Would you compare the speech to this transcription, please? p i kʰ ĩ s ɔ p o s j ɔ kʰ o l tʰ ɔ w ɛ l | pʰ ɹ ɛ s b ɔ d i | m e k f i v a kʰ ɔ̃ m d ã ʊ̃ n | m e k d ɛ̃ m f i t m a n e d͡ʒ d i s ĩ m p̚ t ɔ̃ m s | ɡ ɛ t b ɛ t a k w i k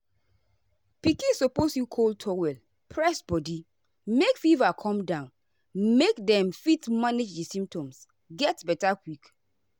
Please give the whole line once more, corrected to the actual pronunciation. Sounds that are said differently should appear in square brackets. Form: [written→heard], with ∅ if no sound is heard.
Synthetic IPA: p i [kʰ→k] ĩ s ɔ p o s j [ɔ→u] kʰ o l tʰ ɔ w ɛ l | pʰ ɹ ɛ s b ɔ d i | m e k f i v a kʰ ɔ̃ m d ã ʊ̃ n | m e k d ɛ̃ m f i t m a n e d͡ʒ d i s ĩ m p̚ t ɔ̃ m s | ɡ ɛ t b ɛ t a k w i k